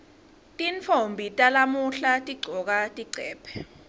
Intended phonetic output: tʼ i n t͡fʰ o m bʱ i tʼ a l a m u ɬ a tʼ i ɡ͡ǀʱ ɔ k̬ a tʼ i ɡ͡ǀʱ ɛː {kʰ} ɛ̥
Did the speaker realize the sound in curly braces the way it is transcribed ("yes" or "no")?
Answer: no